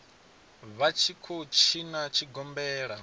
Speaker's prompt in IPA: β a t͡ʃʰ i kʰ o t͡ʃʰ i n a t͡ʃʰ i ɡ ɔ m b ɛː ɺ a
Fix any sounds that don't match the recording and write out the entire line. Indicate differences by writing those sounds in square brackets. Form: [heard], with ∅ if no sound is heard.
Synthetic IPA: β a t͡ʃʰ i kʰ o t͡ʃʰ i n a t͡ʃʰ i ɡ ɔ m b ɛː ɺ a